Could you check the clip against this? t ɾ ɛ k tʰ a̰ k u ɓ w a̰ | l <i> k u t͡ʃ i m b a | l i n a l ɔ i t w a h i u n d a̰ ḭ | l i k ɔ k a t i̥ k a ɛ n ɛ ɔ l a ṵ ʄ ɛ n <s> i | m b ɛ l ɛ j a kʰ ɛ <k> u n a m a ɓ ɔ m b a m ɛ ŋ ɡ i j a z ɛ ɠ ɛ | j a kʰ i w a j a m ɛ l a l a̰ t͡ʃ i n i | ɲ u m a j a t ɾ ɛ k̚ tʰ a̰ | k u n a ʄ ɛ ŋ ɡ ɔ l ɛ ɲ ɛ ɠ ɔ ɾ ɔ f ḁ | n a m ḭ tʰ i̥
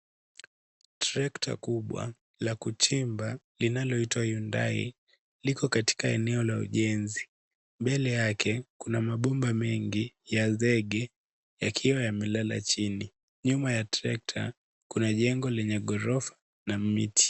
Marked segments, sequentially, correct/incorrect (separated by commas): incorrect, incorrect, correct